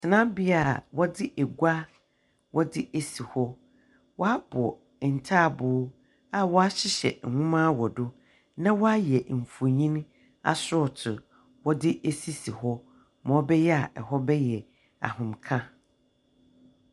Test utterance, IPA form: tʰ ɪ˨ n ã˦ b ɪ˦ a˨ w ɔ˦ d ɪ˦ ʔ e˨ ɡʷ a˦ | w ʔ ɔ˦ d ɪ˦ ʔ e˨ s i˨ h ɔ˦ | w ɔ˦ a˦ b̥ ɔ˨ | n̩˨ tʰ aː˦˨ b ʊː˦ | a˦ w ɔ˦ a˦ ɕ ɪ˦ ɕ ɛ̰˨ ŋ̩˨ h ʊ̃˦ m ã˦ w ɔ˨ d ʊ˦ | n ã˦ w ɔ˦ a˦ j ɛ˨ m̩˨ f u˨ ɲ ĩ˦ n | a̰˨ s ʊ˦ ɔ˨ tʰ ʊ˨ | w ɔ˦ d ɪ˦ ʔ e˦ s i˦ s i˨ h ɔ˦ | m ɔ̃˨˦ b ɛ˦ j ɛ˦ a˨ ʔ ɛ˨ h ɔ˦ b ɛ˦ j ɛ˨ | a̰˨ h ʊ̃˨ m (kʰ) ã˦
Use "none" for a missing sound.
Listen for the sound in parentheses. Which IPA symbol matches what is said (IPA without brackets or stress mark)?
kʰ